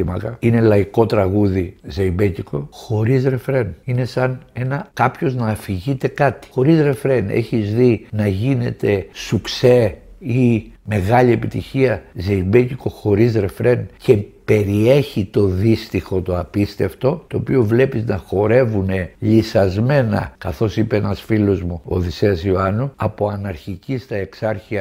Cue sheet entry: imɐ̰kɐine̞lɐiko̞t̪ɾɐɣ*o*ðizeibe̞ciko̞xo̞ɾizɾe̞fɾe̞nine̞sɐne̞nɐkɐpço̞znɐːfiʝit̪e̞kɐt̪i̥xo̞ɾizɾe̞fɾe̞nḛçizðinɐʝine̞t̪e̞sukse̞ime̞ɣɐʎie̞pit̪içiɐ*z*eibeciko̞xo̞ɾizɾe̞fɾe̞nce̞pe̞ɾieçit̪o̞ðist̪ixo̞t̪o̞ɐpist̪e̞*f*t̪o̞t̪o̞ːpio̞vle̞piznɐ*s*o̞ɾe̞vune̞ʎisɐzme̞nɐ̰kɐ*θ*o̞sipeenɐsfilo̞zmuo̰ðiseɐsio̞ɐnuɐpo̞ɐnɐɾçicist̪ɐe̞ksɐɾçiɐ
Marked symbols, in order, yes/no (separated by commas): no, yes, yes, no, yes